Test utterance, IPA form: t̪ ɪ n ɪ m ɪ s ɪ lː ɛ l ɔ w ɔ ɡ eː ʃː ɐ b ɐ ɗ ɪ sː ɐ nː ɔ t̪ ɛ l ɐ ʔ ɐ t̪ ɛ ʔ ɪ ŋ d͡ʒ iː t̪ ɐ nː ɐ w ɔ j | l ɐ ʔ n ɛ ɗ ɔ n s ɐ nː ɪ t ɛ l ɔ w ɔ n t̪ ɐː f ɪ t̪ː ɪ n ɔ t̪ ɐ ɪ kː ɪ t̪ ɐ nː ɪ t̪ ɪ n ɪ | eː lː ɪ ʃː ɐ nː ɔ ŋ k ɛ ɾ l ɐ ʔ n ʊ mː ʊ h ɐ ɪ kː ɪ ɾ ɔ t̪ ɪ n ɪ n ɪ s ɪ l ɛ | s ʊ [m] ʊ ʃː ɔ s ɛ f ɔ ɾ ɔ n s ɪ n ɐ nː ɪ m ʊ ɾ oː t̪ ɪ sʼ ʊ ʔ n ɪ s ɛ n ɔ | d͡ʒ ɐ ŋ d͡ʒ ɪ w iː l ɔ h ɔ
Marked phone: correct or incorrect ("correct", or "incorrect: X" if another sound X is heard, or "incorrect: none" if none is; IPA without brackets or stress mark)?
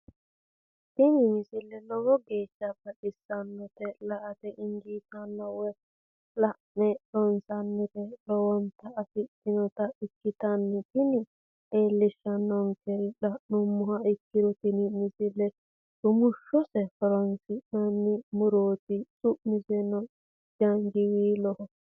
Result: correct